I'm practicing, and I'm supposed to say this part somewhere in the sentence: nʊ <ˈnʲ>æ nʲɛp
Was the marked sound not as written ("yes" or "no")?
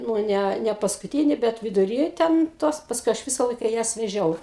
no